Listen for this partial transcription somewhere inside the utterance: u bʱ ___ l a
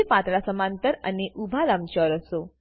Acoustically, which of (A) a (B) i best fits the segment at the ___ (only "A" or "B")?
A